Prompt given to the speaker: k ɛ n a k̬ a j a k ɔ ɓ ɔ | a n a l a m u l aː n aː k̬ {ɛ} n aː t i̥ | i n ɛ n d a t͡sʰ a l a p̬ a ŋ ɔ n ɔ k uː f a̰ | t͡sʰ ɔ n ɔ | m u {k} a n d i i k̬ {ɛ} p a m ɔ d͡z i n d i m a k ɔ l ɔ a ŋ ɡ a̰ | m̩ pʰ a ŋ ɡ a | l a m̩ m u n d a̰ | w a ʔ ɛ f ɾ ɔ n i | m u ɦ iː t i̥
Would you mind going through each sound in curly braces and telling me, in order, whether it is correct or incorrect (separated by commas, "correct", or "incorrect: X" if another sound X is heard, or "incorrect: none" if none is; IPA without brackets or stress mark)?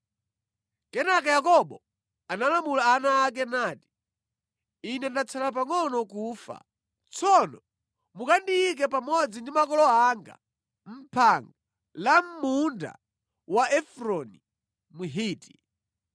correct, correct, correct